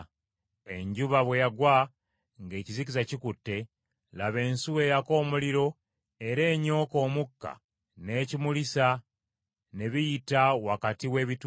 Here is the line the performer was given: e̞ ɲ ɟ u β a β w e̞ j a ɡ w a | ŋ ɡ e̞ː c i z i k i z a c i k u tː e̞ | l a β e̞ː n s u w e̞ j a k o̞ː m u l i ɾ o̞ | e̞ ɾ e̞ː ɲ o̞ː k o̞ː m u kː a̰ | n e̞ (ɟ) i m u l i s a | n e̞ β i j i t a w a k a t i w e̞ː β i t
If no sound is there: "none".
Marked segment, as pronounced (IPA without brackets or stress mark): c